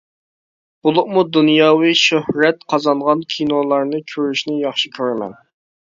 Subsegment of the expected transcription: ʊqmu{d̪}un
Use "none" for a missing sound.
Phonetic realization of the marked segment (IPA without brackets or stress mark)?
d̪